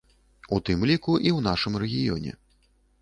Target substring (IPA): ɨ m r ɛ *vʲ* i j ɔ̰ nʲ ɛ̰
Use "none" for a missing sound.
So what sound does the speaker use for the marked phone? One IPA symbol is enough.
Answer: ɣʲ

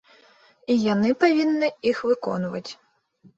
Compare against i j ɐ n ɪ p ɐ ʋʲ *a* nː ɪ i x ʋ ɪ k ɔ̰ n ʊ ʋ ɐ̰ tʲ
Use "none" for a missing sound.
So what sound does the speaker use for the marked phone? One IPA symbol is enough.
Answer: i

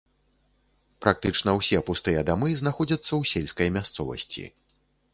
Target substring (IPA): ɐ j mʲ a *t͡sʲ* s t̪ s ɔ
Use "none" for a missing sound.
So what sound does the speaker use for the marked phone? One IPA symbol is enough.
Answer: none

